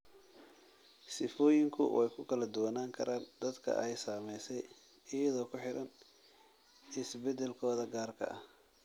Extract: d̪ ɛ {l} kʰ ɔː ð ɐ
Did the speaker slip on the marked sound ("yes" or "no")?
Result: no